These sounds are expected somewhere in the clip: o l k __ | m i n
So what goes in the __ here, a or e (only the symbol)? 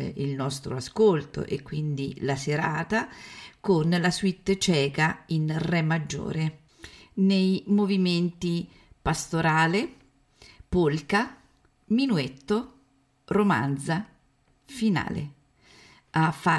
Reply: a